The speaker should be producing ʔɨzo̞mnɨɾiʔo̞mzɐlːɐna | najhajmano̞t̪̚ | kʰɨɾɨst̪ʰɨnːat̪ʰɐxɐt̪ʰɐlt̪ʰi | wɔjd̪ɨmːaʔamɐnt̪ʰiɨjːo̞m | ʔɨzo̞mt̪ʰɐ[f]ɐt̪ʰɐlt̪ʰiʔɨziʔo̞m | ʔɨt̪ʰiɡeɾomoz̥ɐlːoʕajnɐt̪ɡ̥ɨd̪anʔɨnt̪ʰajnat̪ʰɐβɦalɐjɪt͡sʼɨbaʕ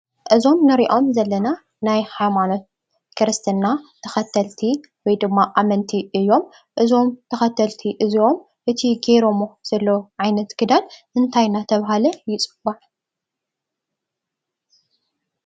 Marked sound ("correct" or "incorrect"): incorrect